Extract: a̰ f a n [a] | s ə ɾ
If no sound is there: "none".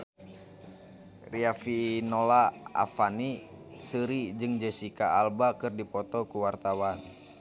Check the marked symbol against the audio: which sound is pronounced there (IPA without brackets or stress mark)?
i